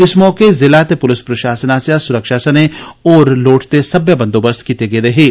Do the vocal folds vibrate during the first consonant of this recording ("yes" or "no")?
no